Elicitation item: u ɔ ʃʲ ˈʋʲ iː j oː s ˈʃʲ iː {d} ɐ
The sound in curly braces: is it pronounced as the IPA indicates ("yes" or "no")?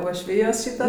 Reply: no